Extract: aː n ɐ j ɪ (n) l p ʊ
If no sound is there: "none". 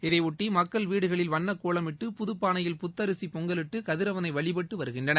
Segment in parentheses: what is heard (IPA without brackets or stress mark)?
none